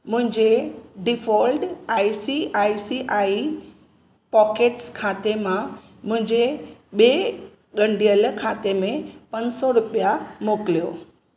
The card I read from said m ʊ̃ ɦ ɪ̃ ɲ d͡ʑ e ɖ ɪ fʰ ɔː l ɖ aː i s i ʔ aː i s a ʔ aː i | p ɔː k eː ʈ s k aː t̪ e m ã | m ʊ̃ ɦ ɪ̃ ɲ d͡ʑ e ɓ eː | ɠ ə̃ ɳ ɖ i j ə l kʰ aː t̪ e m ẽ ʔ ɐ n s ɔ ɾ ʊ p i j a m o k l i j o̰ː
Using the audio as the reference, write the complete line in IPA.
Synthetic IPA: m ʊ̃ ɦ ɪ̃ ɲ d͡ʑ e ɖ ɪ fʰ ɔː l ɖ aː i s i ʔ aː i s i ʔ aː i | p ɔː k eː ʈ s kʰ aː t̪ e m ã | m ʊ̃ ɦ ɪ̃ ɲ d͡ʑ e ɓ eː | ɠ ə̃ ɳ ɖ i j ə l kʰ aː t̪ e m ẽ p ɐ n s ɔ ɾ ʊ p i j a m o k l i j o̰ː